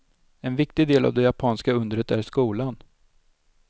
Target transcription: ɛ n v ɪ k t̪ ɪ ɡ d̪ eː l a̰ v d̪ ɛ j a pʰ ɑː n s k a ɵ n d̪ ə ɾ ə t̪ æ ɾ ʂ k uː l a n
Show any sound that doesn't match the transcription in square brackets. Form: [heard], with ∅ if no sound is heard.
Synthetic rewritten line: ɛ n v ɪ k t̪ ɪ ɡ d̪ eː l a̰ v d̪ ɛ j a pʰ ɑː n s k a ɵ n d̪ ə ɾ ə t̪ æ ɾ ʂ k uː l a n